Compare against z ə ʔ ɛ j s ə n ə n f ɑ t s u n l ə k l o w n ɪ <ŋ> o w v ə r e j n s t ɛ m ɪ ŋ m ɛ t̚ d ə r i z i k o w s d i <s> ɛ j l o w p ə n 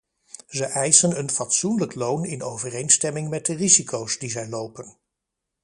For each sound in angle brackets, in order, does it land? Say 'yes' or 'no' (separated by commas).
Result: no, no